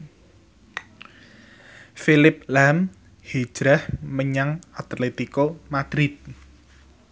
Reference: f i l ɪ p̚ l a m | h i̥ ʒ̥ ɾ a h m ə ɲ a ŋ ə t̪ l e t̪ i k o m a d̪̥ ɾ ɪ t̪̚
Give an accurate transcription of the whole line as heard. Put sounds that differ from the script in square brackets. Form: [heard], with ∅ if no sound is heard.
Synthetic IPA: f i l ɪ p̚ l a m | h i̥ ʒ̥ ɾ a h m ə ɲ a ŋ [a] t̪ l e t̪ i k o m a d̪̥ ɾ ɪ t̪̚